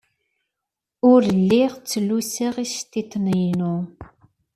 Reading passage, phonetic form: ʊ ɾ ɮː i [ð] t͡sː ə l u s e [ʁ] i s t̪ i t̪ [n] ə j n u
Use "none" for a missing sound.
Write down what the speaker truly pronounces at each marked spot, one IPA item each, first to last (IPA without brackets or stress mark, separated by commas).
ʁ, ʁ, n